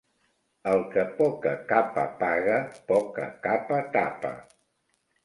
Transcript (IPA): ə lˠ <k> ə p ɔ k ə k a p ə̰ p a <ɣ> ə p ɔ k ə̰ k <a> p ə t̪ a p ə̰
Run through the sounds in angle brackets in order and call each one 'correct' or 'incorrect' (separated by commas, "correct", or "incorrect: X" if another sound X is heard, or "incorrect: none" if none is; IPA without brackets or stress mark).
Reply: correct, correct, correct